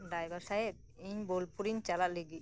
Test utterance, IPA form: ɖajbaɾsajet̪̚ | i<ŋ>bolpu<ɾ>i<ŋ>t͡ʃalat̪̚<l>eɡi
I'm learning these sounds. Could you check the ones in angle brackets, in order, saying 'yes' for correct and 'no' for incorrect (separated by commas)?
no, yes, no, yes